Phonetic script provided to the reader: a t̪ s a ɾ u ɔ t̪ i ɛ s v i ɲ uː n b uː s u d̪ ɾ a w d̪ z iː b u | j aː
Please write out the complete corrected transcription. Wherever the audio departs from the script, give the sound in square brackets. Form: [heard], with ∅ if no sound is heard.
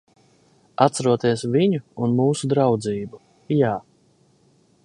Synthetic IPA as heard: a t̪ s a ɾ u ɔ t̪ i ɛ s v i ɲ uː n [m] uː s u d̪ ɾ a w d̪ z iː b u | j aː